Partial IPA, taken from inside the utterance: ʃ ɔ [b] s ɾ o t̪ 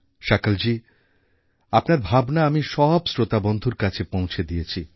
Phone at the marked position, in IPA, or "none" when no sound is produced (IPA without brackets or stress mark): b